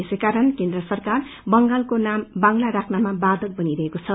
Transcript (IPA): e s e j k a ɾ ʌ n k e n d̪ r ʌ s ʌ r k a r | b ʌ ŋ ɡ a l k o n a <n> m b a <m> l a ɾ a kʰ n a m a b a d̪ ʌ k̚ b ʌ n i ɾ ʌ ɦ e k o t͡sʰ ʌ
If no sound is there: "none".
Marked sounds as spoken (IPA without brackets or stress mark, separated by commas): none, ŋ